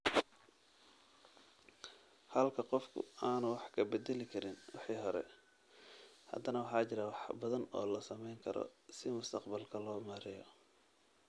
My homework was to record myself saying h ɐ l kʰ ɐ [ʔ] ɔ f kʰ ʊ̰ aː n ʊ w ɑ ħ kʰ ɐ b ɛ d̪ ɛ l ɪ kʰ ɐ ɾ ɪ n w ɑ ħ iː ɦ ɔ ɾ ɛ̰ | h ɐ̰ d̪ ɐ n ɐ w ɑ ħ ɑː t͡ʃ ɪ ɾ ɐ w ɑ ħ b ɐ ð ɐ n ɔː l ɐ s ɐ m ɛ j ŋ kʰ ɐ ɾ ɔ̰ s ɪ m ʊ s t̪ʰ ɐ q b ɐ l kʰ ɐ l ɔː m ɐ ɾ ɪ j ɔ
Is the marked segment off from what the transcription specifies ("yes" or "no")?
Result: yes